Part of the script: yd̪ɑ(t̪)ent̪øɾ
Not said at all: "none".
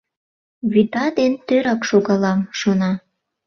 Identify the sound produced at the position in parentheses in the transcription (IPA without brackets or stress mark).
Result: d̪